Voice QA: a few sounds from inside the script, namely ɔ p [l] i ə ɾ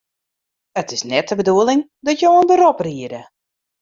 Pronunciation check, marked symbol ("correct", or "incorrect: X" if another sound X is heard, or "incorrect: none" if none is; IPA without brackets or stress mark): incorrect: r